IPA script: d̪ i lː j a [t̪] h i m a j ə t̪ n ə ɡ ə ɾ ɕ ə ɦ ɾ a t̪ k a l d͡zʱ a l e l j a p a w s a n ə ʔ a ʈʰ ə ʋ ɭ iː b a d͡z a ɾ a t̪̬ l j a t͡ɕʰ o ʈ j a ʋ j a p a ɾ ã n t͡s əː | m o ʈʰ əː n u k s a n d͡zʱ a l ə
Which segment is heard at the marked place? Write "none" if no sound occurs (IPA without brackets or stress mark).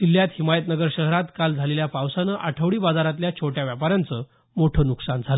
t̪